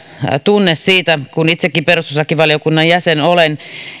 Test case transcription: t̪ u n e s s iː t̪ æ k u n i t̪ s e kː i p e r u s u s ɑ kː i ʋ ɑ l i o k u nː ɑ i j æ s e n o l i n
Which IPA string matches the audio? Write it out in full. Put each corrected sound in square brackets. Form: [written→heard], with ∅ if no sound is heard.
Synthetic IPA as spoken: t̪ u [n→nː] e s s iː t̪ æ k u n i t̪ s e kː i p e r u s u s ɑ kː i ʋ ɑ l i o k u nː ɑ [i→j] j æ s e n o l [i→e] n